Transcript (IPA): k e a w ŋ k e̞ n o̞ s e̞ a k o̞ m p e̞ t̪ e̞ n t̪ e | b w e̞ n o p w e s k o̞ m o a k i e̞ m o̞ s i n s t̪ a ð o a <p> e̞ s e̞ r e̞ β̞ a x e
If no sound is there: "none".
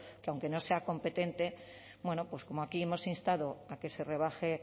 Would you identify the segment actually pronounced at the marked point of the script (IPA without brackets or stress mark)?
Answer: k